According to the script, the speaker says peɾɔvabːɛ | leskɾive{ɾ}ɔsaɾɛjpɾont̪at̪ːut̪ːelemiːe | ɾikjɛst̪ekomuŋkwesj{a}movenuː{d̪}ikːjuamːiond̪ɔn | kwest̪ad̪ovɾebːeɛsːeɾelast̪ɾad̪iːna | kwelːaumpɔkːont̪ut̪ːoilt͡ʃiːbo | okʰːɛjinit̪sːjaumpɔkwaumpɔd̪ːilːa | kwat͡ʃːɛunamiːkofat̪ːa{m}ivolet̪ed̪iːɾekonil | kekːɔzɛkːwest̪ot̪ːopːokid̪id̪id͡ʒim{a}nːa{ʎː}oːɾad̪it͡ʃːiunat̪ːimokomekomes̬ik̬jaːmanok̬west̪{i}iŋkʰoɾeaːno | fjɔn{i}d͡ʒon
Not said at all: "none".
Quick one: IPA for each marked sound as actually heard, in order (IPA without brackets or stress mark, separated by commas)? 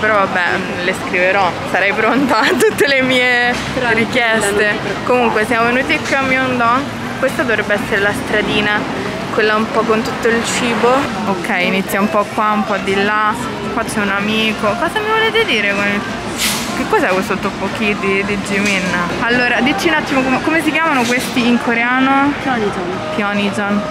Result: ɾ, a, t̪, m, i, lː, i, i